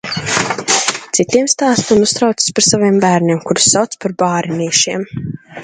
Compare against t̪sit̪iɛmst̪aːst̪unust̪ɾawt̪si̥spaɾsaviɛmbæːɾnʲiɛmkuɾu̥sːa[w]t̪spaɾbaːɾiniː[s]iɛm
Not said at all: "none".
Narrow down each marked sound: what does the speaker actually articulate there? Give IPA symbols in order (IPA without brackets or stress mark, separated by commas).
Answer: w, ʃ